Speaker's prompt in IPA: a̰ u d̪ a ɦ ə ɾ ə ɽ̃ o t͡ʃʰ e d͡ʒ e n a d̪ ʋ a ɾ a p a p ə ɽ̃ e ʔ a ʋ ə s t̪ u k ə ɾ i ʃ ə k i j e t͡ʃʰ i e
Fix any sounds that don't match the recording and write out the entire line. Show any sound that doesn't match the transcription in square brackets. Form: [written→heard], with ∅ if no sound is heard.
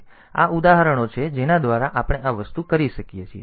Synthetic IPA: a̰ u d̪ a ɦ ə ɾ ə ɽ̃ o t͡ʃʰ e d͡ʒ e n a d̪ ʋ a ɾ a [p→ʔ] a p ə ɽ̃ e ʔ a ʋ ə s t̪ u k ə ɾ i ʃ ə k i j e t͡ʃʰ i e